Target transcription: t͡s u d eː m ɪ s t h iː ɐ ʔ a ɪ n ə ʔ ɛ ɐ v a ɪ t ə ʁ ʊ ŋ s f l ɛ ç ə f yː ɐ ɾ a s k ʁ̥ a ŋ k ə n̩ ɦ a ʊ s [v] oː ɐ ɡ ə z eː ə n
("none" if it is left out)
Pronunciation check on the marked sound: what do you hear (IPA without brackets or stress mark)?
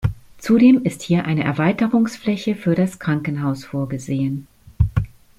f